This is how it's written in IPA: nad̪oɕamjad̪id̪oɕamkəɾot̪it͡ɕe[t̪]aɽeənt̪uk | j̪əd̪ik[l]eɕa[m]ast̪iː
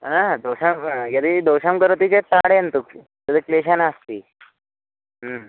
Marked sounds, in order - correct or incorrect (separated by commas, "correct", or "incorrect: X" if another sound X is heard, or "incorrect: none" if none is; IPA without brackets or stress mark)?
correct, correct, incorrect: n